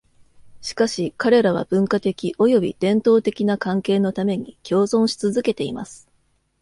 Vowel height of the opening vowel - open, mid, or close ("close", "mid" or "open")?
close